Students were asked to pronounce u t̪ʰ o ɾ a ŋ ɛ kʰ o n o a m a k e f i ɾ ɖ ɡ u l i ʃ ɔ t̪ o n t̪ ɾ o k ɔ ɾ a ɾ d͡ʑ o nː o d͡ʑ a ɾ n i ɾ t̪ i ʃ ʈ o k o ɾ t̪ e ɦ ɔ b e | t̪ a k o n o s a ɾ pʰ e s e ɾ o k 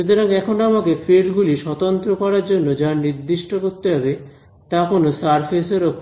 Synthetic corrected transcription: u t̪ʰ o ɾ a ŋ ɛ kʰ o n o a m a k e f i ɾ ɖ ɡ u l i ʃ ɔ t̪ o n t̪ ɾ o k ɔ ɾ a ɾ d͡ʑ o nː o d͡ʑ a ɾ n i ɾ d̪ i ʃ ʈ o k o ɾ t̪ e ɦ ɔ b e | t̪ a k o n o s a ɾ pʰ e s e ɾ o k